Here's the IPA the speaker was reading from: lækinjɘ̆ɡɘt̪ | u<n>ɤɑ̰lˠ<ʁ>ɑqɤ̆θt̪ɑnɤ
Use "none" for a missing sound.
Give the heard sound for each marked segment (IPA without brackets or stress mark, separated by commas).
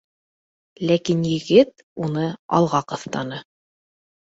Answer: n, ʁ